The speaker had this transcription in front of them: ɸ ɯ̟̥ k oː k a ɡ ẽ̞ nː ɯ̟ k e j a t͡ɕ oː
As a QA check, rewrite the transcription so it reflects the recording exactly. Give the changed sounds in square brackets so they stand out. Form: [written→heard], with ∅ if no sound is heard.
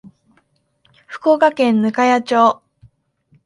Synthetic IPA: ɸ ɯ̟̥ k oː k a [ɡ→k] ẽ̞ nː ɯ̟ k [e→a] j a t͡ɕ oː